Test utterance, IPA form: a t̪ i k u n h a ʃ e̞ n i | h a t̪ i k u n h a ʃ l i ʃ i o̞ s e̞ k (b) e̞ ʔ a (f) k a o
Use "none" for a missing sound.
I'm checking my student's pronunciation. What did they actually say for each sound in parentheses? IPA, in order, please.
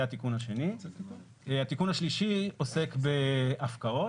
b, f

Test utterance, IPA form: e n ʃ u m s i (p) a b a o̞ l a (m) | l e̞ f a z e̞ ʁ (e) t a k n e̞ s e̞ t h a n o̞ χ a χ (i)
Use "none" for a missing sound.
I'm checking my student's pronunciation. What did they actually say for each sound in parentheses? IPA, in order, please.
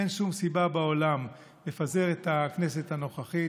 b, m, e, i

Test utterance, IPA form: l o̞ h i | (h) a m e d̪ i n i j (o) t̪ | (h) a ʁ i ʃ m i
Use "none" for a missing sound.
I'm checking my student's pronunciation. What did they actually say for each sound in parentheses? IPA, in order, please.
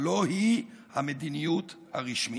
h, u, h

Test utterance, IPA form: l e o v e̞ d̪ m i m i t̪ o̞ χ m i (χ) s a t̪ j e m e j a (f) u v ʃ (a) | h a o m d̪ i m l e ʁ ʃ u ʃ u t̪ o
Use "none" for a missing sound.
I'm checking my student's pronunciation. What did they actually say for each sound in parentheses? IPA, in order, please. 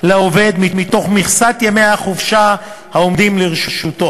χ, χ, a

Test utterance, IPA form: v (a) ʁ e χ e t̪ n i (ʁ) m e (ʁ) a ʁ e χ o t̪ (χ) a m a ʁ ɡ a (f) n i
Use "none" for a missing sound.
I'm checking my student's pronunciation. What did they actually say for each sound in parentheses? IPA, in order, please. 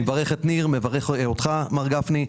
a, ʁ, v, χ, f

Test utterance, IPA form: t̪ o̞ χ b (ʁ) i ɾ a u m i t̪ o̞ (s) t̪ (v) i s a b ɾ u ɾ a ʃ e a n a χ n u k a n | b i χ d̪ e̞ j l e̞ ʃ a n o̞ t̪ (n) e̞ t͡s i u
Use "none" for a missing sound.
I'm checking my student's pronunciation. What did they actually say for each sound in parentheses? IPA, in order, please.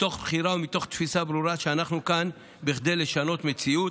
χ, χ, f, m

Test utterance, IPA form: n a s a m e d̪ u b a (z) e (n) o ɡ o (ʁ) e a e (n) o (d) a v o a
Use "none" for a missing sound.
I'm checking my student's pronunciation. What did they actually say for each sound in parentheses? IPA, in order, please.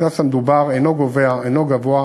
ʁ, n, v, n, ɡ

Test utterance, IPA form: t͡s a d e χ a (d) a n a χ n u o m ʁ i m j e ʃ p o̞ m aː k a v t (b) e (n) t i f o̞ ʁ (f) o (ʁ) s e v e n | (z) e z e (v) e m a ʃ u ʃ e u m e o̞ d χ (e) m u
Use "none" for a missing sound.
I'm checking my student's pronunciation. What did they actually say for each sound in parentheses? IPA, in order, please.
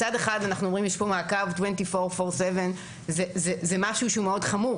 d, w, n, f, ʁ, z, z, a

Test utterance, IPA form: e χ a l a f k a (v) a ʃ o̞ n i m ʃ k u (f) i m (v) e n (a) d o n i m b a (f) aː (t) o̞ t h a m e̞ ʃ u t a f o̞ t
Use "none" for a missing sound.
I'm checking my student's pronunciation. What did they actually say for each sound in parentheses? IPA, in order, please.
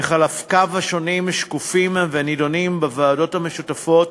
v, f, v, i, v, d

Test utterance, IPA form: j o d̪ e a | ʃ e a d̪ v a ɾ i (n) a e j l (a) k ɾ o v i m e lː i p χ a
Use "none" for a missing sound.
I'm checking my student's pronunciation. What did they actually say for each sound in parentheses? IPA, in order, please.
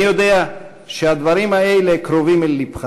m, e

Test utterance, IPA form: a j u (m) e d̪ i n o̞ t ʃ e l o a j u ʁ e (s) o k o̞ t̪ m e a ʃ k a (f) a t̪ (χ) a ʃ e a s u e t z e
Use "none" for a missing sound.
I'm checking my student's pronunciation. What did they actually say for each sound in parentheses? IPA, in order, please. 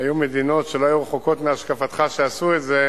m, χ, f, χ

